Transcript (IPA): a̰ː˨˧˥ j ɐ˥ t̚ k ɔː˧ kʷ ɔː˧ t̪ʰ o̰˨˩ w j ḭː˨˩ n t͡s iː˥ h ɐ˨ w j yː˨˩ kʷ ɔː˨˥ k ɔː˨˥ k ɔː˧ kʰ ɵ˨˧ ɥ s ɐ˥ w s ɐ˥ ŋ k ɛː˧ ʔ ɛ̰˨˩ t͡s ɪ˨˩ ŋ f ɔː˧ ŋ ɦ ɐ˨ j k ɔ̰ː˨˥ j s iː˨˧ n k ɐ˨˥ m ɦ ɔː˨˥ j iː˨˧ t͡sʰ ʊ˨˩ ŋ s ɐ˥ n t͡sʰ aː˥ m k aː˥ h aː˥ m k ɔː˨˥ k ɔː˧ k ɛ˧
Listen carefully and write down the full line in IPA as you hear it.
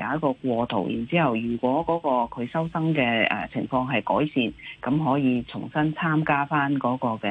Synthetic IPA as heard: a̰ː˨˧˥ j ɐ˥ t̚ k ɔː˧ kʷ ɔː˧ t̪ʰ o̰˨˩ w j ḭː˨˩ n t͡s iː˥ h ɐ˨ w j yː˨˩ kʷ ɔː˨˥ k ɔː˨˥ k ɔː˧ kʰ ɵ˨˧ ɥ s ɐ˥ w s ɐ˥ ŋ k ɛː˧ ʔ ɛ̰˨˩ t͡sʰ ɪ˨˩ ŋ f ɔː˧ ŋ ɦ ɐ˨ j k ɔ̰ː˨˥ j s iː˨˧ n k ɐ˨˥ m ɦ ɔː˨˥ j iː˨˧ t͡sʰ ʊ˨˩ ŋ s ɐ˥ n t͡sʰ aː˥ m k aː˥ f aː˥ n k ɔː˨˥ k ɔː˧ k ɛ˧